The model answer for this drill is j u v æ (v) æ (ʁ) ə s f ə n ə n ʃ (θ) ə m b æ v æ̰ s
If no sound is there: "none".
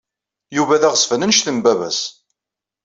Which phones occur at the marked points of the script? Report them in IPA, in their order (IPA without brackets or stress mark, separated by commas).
ð, ʁ, θ